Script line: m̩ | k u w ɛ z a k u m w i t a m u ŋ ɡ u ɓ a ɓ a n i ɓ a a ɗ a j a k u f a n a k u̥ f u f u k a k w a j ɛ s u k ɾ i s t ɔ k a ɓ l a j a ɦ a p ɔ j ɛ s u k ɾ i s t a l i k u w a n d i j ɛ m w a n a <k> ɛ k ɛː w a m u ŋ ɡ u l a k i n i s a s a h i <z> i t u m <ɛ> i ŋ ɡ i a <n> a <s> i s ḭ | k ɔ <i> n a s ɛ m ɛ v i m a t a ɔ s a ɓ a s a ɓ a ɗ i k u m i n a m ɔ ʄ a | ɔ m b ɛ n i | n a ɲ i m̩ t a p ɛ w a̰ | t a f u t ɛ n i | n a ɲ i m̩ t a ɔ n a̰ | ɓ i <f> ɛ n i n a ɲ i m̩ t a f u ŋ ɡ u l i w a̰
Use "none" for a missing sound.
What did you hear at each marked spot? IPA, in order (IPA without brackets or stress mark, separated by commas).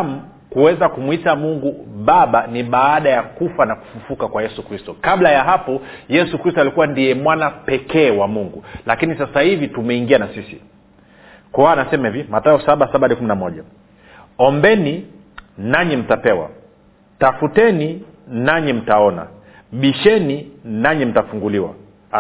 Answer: p, v, ɛ, n, s, a, ʃ